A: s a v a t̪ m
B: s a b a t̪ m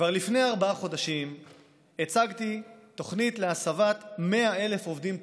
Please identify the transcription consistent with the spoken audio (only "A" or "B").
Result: A